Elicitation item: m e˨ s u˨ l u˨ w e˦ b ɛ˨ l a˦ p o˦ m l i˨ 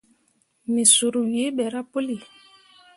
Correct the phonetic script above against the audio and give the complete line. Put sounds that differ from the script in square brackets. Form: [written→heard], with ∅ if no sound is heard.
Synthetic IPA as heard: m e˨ s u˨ [l→ɾ] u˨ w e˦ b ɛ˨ [l→ɾ] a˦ p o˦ [m→∅] l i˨